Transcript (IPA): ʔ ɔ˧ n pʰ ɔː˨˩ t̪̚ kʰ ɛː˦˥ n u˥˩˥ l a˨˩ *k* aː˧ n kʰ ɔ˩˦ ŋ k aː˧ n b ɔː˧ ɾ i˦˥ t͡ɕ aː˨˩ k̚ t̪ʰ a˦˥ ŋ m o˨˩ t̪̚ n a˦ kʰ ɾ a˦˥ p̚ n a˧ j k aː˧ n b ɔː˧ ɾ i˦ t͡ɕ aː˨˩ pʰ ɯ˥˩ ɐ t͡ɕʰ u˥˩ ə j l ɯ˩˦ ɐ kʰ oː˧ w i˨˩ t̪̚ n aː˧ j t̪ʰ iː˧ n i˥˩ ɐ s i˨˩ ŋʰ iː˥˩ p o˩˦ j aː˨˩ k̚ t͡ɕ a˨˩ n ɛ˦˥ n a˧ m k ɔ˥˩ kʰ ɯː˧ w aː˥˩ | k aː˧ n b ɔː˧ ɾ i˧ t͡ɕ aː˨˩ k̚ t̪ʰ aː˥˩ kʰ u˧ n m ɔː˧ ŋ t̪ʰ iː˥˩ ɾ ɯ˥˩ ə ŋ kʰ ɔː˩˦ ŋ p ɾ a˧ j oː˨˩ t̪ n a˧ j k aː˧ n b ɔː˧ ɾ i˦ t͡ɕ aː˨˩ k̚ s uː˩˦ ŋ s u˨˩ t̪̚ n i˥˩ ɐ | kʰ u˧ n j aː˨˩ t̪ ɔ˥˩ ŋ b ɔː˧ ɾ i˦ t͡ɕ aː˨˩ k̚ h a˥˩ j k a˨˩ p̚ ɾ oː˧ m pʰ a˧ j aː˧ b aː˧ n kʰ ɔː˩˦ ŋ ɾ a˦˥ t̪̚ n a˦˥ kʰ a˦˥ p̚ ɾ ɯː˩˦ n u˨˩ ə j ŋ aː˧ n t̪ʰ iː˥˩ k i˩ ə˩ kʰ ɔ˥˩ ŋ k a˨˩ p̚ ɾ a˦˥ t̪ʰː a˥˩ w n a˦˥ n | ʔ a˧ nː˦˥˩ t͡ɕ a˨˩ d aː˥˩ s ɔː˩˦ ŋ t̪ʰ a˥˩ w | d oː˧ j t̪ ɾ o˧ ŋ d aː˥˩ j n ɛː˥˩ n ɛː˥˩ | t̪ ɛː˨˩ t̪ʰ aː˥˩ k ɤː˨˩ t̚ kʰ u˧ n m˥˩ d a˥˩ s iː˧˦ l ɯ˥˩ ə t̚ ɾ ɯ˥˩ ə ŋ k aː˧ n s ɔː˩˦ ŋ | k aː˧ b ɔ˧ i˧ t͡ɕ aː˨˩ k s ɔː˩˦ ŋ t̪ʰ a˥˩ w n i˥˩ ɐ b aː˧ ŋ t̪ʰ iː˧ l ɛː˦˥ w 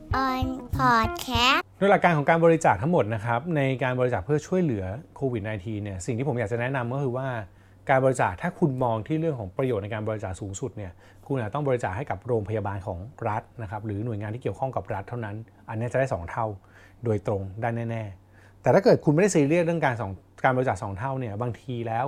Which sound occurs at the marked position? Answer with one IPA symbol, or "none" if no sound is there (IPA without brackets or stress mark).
k